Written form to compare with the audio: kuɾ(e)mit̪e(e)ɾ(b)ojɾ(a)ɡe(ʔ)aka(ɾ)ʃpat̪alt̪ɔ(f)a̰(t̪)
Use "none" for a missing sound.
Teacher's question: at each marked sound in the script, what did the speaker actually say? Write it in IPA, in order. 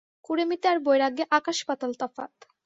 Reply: e, a, b, a, ʔ, none, f, t̪

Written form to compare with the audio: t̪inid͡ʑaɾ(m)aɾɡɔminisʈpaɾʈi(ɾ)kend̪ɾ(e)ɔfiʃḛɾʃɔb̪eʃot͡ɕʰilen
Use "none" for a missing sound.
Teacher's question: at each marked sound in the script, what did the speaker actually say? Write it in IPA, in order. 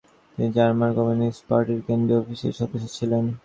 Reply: m, ɾ, e

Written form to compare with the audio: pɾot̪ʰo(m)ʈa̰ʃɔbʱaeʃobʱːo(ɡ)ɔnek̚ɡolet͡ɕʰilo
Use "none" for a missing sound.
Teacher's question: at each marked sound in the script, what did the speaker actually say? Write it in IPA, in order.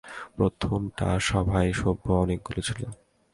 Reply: m, none

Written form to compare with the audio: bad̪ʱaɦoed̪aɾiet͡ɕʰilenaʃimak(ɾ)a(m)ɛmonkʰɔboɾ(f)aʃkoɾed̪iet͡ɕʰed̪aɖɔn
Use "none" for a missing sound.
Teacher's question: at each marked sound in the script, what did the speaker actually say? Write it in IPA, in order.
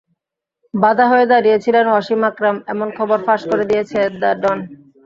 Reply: ɾ, m, f

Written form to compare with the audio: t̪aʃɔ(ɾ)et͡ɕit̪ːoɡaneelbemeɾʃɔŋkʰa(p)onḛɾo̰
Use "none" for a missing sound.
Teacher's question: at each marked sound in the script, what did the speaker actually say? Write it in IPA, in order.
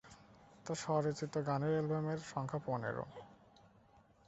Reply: ɾ, p

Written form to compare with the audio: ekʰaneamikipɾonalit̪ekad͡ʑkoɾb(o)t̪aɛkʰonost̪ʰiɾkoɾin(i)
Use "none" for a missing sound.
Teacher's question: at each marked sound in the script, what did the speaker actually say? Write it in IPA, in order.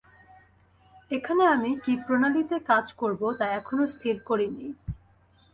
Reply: o, i

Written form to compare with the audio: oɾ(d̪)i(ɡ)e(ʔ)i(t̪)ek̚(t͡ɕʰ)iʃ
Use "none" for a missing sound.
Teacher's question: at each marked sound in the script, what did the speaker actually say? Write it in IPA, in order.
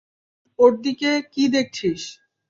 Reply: d̪, k, k, d̪, t͡ɕʰ

